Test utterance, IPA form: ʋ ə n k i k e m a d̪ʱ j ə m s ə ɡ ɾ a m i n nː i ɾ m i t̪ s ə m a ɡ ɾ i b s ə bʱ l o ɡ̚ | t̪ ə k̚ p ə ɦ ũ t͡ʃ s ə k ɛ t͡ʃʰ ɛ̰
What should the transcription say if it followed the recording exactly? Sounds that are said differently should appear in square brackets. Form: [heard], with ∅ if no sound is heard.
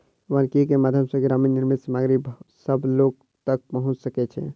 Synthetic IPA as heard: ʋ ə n k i k e m a d̪ʱ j ə m s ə ɡ ɾ a m i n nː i ɾ m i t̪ s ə m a ɡ ɾ i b s ə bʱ l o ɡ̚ | t̪ ə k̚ p ə ɦ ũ t͡ʃ s ə k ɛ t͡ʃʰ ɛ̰